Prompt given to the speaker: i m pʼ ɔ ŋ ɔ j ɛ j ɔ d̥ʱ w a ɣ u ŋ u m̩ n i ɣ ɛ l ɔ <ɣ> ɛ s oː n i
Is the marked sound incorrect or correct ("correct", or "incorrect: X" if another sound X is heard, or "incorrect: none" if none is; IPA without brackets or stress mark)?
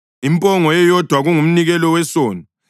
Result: incorrect: w